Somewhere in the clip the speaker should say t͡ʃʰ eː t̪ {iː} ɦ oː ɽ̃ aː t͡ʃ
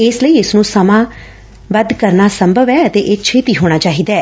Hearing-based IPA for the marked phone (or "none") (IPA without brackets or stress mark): iː